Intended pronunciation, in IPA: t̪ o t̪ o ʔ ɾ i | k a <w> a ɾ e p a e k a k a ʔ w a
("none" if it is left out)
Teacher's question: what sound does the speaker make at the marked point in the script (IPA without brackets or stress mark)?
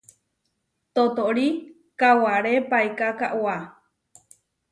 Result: w